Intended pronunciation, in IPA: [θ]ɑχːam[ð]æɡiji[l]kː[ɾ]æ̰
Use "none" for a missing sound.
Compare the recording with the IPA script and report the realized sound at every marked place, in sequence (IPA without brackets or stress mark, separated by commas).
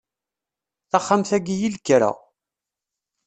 θ, θ, l, ɾ